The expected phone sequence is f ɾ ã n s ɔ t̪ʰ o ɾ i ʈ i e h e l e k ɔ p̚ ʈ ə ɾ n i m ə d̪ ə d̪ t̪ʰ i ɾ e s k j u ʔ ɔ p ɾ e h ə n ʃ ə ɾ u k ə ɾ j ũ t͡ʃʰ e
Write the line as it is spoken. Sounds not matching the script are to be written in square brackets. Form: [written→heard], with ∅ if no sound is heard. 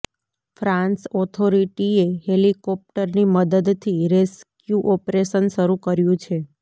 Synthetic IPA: f ɾ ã n s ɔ t̪ʰ o ɾ i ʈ i e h e l [e→i] k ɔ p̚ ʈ ə ɾ n i m ə d̪ ə d̪ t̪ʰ i ɾ e s k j u ʔ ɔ p ɾ e [h→ʃ] ə n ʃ ə ɾ u k ə ɾ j ũ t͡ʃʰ e